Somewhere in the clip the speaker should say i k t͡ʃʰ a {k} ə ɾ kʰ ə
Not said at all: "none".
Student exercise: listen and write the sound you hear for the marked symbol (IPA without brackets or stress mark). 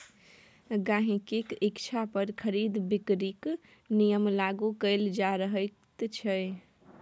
p